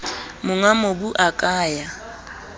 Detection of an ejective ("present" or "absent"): present